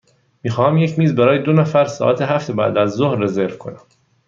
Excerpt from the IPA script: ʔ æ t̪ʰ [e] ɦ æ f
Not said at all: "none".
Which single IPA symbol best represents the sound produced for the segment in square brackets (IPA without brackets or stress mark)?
e